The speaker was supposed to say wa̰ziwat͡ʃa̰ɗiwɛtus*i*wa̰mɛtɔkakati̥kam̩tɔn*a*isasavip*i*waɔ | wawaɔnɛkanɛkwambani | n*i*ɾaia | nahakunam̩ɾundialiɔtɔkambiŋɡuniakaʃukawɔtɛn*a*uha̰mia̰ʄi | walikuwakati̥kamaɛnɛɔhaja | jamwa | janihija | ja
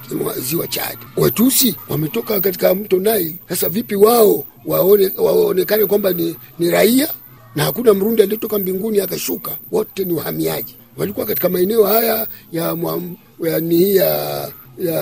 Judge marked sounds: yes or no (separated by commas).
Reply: yes, yes, yes, yes, no